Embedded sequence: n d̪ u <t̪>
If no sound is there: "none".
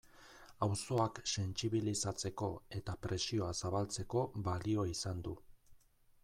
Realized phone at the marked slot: none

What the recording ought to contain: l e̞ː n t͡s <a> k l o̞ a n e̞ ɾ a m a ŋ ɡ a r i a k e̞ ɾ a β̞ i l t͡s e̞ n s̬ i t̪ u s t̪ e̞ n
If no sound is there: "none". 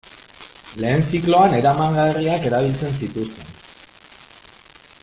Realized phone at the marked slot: i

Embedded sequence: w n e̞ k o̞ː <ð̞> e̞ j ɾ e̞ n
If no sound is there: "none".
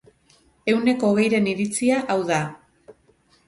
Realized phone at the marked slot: ɣ̞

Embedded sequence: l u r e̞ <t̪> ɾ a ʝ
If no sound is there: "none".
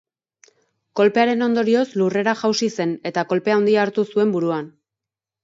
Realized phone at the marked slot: none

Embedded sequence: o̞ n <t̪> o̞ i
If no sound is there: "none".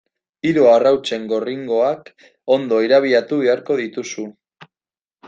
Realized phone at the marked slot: d̪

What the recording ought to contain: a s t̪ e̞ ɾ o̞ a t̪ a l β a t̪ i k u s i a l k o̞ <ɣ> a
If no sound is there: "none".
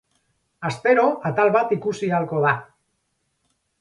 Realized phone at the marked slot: ð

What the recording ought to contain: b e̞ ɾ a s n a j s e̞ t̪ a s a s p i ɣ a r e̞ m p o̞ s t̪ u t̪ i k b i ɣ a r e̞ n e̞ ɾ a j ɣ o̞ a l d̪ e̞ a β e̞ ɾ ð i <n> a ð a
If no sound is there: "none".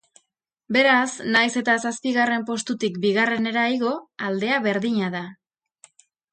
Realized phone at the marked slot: ɲ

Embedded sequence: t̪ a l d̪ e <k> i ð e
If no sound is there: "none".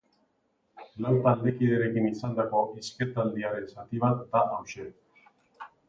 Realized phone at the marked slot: k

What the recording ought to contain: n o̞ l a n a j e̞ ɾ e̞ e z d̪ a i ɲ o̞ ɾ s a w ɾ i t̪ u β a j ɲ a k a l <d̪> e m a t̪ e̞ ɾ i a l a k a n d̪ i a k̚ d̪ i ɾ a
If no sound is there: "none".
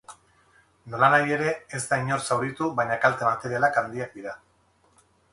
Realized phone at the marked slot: t̪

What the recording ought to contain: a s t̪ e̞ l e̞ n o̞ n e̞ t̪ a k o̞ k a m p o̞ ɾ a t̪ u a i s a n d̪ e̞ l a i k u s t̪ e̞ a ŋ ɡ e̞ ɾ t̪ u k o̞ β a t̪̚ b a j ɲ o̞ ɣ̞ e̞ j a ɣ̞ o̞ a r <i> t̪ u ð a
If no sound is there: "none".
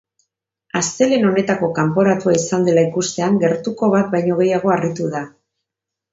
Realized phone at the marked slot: i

